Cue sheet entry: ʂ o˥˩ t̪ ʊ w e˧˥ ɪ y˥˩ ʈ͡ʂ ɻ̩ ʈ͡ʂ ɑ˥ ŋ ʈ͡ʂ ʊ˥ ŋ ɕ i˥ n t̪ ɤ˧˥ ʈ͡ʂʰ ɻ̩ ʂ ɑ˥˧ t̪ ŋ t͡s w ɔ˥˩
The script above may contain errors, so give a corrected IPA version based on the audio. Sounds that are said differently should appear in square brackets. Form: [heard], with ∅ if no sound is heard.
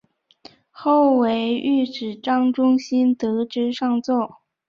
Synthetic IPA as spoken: [x] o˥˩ [∅] ʊ w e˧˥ ɪ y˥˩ ʈ͡ʂ ɻ̩ ʈ͡ʂ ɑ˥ ŋ ʈ͡ʂ ʊ˥ ŋ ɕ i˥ n t̪ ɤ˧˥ [ʈ͡ʂ] ɻ̩ ʂ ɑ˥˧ [∅] ŋ t͡s w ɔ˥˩

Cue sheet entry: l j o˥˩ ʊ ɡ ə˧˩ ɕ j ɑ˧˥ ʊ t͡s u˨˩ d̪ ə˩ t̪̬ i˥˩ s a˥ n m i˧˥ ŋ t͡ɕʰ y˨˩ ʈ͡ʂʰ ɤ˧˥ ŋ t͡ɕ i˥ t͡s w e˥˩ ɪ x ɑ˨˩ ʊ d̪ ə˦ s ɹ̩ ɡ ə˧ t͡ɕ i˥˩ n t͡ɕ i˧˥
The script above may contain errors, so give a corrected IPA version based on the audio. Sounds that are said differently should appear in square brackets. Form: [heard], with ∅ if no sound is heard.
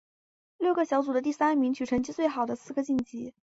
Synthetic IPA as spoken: l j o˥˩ ʊ ɡ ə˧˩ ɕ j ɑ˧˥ ʊ t͡s u˨˩ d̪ [ə˦] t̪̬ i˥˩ s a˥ n m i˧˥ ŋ t͡ɕʰ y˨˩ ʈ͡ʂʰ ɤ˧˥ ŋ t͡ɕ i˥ t͡s w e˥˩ ɪ x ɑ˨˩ ʊ d̪ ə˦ s ɹ̩ ɡ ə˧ t͡ɕ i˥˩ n t͡ɕ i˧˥

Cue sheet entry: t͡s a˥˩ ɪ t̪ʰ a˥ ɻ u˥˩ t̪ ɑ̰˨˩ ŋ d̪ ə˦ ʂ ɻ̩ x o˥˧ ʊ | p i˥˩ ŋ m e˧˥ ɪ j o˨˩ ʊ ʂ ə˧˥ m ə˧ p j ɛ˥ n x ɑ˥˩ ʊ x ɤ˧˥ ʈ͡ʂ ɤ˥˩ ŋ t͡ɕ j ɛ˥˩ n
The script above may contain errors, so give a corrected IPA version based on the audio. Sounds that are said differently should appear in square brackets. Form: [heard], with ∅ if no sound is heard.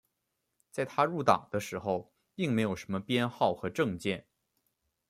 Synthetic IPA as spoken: t͡s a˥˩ ɪ t̪ʰ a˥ ɻ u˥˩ t̪ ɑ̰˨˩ ŋ d̪ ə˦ ʂ ɻ̩ x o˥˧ ʊ | p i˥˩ ŋ m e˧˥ ɪ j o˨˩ ʊ ʂ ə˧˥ m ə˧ p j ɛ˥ n x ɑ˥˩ ʊ x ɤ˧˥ ʈ͡ʂ [ɤ˥˧] ŋ t͡ɕ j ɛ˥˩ n

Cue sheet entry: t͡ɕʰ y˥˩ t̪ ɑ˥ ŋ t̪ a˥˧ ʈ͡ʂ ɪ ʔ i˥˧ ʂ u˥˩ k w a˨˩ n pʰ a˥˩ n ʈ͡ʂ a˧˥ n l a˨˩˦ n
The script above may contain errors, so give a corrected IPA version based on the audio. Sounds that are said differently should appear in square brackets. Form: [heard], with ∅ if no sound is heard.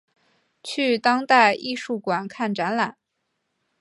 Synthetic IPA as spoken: t͡ɕʰ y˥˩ t̪ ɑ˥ ŋ t̪ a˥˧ [∅] ɪ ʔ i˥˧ ʂ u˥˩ k w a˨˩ n [kʰ] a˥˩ n ʈ͡ʂ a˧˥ n l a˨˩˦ n

